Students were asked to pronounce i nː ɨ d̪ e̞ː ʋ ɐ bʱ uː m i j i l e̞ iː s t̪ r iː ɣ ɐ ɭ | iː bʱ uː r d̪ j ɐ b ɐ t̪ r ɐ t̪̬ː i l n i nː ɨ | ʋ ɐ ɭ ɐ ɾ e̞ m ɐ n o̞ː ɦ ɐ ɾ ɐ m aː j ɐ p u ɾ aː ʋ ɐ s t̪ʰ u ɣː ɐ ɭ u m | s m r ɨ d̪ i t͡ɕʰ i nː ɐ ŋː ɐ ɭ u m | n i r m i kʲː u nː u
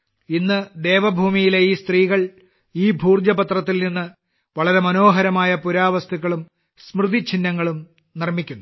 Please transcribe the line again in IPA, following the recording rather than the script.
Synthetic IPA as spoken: i nː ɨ d̪ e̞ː ʋ ɐ bʱ uː m i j i l e̞ iː s t̪ r iː ɣ ɐ ɭ | iː bʱ uː r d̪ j ɐ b ɐ t̪ r ɐ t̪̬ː i l n i nː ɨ | ʋ ɐ ɭ ɐ ɾ e̞ m ɐ n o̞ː ɦ ɐ ɾ ɐ m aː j ɐ p u ɾ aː ʋ ɐ s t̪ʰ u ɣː ɐ ɭ u m | s m r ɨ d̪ i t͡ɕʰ i nː ɐ ŋː ɐ ɭ u m | n i r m i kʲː u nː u

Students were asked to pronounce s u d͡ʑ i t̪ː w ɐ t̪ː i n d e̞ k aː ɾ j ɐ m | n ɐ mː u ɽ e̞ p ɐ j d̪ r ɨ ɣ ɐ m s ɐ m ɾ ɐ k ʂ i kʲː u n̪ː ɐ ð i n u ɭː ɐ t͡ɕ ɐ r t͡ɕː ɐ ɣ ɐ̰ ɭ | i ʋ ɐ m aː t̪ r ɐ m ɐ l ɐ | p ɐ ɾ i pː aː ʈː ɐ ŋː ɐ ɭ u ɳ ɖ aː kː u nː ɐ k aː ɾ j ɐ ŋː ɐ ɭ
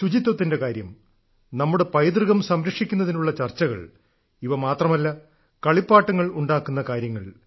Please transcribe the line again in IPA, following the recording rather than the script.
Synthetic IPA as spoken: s u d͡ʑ i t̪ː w ɐ t̪ː i n d e̞ k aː ɾ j ɐ m | n ɐ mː u ɽ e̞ p ɐ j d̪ r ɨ ɣ ɐ m s ɐ m ɾ ɐ k ʂ i kʲː u n̪ː ɐ ð i n u ɭː ɐ t͡ɕ ɐ r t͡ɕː ɐ ɣ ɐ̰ ɭ | i ʋ ɐ m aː t̪ r ɐ m ɐ lː ɐ | k ɐ ɭ i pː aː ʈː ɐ ŋː ɐ ɭ u ɳ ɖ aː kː u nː ɐ k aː ɾ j ɐ ŋː ɐ ɭ

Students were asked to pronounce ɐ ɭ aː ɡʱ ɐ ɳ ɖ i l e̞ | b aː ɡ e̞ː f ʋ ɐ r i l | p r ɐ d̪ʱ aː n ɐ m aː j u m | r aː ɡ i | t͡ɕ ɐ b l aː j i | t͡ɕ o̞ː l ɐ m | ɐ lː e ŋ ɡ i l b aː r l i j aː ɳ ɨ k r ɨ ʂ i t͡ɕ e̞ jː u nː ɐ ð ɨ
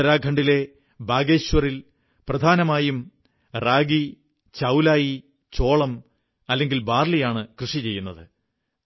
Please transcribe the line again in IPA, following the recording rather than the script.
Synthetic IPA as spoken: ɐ ɾ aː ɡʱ ɐ ɳ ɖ i l e̞ | b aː ɡ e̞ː ɕ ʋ ɐ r i l | p r ɐ d̪ʱ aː n ɐ m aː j u m | r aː ɡ i | t͡ɕ ɐ w l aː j i | t͡ɕ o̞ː ɭ ɐ m | ɐ lː e ŋ ɡ i l b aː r l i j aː ɳ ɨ k r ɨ ʂ i t͡ɕ e̞ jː u nː ɐ ð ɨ

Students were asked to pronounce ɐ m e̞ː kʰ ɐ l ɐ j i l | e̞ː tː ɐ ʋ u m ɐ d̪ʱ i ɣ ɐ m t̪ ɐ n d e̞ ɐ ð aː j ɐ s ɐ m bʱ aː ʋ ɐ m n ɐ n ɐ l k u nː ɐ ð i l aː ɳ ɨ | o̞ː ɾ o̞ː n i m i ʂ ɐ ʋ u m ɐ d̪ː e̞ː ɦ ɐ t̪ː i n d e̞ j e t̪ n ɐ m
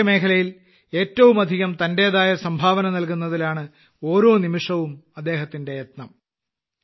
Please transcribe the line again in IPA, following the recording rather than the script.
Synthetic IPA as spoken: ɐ m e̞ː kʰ ɐ l ɐ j i l | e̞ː tː ɐ ʋ u m ɐ d̪ʱ i ɣ ɐ m t̪ ɐ n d e̞ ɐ ð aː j ɐ s ɐ m bʱ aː ʋ ɐ n ɐ n ɐ l k u nː ɐ ð i l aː ɳ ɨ | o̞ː ɾ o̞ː n i m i ʂ ɐ ʋ u m ɐ d̪ː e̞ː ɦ ɐ t̪ː i n d e̞ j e t̪ n ɐ m

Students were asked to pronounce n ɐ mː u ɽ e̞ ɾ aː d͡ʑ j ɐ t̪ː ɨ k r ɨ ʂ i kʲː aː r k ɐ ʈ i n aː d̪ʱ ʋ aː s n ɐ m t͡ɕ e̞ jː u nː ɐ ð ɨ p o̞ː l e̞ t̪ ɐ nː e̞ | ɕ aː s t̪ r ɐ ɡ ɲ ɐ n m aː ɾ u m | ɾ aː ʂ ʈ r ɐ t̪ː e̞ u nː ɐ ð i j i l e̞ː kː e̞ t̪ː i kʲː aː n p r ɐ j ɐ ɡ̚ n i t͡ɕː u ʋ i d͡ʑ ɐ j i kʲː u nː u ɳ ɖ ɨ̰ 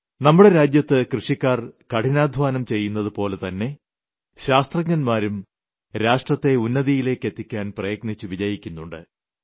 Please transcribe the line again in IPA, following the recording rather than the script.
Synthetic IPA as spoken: n ɐ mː u ɽ e̞ ɾ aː d͡ʑ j ɐ t̪ː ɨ k r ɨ ʂ i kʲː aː r k ɐ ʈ i n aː d̪ʱ ʋ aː n ɐ m t͡ɕ e̞ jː u nː ɐ ð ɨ p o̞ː l e̞ t̪ ɐ nː e̞ | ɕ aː s t̪ r ɐ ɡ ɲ ɐ n m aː ɾ u m | ɾ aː ʂ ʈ r ɐ t̪ː e̞ u nː ɐ ð i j i l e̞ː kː e̞ t̪ː i kʲː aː n p r ɐ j ɐ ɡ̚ n i t͡ɕː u ʋ i d͡ʑ ɐ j i kʲː u nː u ɳ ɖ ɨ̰

